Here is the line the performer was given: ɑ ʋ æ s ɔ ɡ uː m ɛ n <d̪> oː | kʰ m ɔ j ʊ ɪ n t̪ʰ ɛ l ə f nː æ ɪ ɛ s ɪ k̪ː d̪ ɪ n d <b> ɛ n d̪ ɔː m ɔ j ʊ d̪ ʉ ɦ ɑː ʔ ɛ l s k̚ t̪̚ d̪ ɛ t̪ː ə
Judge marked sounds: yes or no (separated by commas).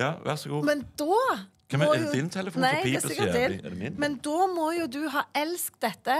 yes, no